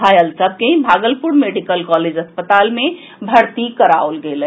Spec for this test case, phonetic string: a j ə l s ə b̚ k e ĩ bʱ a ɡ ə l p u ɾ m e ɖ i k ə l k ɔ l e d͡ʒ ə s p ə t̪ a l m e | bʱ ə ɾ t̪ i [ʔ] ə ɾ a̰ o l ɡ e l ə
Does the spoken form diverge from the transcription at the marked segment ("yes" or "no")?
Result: yes